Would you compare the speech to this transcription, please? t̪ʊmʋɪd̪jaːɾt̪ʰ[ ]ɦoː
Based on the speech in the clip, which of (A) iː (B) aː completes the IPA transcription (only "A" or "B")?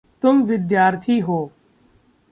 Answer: A